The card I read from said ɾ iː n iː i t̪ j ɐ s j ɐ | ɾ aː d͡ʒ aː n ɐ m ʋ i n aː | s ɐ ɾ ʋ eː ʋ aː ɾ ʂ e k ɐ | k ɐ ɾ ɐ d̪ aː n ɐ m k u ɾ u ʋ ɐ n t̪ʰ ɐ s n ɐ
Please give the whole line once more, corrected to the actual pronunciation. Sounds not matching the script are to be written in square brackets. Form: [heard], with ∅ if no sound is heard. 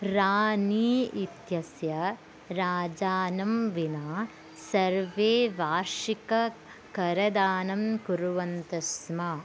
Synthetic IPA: ɾ [aː] n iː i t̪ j ɐ s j ɐ | ɾ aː d͡ʒ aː n ɐ m ʋ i n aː | s ɐ ɾ ʋ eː ʋ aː ɾ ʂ [i] k ɐ | k ɐ ɾ ɐ d̪ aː n ɐ m k u ɾ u ʋ ɐ n [t̪] ɐ s [m] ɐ